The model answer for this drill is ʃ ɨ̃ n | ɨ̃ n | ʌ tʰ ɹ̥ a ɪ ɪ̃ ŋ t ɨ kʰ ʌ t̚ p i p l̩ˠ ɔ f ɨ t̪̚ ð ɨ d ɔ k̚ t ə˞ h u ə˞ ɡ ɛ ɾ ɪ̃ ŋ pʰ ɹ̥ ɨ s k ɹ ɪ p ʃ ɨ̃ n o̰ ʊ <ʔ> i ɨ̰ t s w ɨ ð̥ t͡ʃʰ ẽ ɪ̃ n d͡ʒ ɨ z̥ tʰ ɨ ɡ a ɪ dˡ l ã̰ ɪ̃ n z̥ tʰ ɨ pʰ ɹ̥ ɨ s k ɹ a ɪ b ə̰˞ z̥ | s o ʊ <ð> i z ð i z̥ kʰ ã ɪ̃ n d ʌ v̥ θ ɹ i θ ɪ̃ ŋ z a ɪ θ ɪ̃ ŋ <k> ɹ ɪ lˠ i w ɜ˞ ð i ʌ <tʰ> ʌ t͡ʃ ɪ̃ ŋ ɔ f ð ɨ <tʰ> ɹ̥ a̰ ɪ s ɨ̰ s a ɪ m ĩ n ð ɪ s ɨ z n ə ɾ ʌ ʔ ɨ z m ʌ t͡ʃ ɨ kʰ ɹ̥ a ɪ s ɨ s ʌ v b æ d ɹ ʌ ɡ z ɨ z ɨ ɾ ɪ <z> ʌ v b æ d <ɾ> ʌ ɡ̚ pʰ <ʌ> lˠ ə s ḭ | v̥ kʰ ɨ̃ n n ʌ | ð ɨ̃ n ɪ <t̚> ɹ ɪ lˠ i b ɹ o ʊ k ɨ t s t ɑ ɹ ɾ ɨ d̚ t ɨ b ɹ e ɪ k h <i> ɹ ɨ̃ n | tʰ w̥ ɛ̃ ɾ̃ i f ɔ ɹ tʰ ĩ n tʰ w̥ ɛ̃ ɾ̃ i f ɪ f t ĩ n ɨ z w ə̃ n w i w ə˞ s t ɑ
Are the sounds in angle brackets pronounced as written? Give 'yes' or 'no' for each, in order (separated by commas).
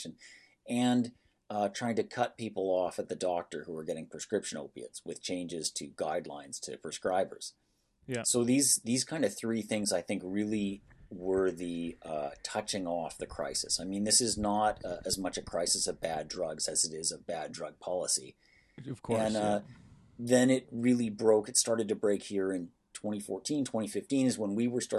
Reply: no, yes, yes, yes, no, yes, no, no, yes, yes